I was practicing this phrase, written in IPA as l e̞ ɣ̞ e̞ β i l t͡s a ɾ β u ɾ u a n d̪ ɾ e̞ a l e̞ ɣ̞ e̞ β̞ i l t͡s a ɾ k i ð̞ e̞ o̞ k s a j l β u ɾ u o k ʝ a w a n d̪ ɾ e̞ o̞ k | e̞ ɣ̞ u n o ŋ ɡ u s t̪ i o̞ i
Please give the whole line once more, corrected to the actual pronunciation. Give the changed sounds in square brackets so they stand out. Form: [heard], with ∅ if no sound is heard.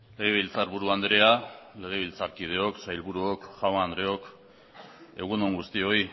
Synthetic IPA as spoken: l e̞ ɣ̞ e̞ β i l t͡s a ɾ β u ɾ u a n d̪ ɾ e̞ a l e̞ ɣ̞ e̞ β̞ i l t͡s a ɾ k i ð̞ e̞ o̞ k s a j l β u ɾ u o k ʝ a w a n d̪ ɾ e̞ o̞ k | e̞ ɣ̞ u n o ŋ ɡ u s t̪ i o̞ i